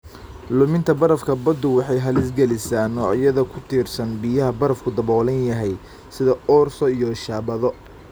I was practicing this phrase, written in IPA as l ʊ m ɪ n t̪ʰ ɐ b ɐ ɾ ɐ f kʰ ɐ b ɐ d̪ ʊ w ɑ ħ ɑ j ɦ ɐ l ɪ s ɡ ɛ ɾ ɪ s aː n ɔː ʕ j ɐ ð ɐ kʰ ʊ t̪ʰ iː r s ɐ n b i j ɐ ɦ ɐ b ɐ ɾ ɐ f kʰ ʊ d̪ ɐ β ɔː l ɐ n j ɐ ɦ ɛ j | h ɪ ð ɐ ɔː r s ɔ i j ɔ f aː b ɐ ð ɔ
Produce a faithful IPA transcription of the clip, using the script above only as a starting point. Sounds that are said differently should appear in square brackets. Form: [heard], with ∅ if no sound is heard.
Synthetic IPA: l ʊ m ɪ n t̪ʰ ɐ b ɐ ɾ ɐ f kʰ ɐ b ɐ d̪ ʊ w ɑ ħ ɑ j ɦ ɐ l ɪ s ɡ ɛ [l] ɪ s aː n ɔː ʕ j ɐ ð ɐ kʰ ʊ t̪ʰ iː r s ɐ n b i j ɐ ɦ ɐ b ɐ ɾ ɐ f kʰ ʊ d̪ ɐ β ɔː l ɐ n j ɐ ɦ ɛ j | [s] ɪ ð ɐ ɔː r s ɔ i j ɔ [ʃ] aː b ɐ ð ɔ